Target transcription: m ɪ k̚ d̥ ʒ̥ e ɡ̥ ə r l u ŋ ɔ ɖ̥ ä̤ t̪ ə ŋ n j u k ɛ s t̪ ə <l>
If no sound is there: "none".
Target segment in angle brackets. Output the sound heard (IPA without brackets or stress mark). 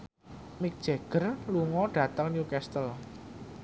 l